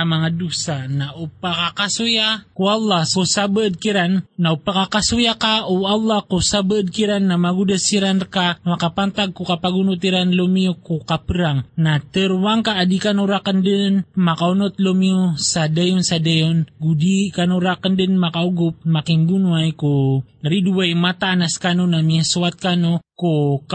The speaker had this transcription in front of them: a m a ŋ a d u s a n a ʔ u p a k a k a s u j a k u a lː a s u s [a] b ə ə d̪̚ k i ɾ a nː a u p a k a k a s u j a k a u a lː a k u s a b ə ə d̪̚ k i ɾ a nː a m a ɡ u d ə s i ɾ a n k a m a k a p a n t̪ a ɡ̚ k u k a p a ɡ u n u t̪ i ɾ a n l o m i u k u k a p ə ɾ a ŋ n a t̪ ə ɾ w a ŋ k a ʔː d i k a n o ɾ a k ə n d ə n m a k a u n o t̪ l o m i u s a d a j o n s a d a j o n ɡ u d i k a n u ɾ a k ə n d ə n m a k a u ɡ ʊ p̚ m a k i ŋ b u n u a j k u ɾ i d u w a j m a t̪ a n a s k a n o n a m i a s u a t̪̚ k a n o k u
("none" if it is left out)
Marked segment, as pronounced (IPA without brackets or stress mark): a